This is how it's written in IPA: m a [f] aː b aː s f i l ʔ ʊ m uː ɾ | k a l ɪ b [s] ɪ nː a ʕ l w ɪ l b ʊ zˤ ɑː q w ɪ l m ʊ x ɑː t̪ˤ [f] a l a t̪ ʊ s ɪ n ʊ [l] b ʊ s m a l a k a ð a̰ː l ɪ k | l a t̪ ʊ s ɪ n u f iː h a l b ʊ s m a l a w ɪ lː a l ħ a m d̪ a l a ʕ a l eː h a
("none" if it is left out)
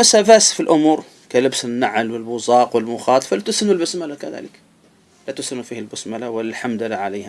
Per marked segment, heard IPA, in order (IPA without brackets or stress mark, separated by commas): s, s, f, l